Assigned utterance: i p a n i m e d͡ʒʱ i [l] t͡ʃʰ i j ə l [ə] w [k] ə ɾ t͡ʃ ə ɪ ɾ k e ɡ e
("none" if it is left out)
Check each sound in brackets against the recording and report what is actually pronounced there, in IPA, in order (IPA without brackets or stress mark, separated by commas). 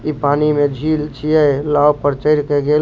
l, a, p